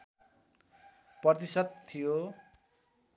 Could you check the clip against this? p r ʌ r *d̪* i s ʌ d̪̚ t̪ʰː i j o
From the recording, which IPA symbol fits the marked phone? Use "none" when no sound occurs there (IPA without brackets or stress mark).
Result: t̪